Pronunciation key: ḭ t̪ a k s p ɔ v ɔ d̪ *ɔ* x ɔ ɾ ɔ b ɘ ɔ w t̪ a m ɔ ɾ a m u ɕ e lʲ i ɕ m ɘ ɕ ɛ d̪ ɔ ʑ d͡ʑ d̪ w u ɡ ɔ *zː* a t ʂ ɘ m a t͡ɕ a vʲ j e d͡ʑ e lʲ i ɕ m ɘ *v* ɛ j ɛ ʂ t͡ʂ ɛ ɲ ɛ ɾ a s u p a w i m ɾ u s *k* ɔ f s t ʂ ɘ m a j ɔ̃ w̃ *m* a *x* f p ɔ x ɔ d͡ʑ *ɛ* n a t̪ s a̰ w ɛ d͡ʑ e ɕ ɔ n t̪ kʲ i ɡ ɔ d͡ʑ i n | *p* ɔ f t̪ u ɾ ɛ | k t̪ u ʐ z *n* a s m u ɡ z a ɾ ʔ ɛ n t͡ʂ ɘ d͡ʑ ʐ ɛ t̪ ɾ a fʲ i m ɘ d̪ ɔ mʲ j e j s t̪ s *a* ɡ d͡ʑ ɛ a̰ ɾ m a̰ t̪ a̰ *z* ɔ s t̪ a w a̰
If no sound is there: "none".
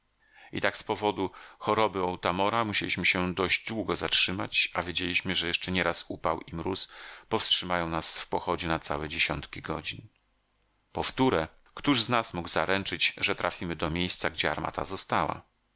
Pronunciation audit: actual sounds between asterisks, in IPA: u, z, ʐ, p, n, s, ɛ, p, n, a, z

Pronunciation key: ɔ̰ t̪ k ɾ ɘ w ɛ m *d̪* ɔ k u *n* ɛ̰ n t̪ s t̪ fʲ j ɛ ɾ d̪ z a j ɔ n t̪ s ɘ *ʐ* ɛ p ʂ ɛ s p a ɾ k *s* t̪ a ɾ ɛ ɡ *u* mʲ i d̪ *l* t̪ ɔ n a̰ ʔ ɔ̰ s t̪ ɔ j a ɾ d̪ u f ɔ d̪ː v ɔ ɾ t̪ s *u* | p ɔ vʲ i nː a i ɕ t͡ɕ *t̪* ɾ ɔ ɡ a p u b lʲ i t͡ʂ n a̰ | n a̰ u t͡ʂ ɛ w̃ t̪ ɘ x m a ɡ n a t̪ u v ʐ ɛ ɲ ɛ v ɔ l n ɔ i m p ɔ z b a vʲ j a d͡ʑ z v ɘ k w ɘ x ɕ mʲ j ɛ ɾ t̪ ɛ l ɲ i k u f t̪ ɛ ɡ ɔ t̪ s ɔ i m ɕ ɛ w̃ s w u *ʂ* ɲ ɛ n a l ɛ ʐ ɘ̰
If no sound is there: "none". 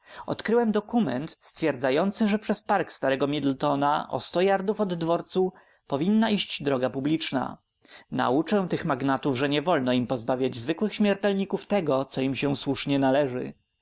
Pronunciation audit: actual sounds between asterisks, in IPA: d̪, m, ʐ, s, ɔ, l, u, d̪, ʂ

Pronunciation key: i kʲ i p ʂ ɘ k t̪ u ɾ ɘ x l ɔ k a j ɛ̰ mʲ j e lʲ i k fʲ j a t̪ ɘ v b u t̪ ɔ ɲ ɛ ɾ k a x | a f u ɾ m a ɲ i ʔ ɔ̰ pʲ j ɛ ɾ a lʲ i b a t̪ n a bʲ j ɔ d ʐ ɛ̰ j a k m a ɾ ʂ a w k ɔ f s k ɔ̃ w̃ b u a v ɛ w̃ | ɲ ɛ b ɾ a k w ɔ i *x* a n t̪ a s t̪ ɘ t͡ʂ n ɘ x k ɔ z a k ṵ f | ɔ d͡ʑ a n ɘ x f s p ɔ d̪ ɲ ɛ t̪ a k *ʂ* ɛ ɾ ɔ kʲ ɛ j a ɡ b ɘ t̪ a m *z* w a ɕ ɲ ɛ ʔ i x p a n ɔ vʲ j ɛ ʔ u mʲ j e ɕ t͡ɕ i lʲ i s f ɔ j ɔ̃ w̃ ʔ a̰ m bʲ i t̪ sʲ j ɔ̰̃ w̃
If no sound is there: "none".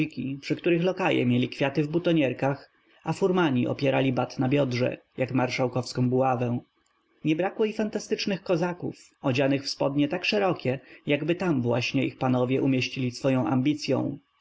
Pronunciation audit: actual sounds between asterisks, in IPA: f, ʂ, v

